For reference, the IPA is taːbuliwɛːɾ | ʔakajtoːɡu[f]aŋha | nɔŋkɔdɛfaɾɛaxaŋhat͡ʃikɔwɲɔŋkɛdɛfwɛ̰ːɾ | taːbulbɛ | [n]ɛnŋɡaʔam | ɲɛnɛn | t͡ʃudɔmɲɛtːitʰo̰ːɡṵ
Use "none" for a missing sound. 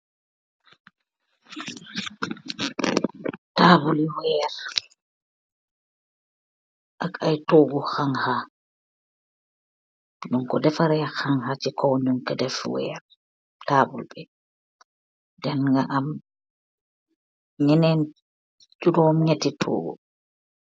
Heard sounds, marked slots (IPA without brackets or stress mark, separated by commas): x, d